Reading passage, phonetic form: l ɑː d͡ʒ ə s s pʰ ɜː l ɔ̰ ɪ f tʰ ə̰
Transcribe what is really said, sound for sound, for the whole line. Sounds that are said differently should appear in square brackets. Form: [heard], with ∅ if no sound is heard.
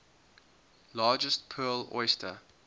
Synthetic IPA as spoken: l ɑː d͡ʒ ə s [t] pʰ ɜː l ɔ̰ ɪ [s] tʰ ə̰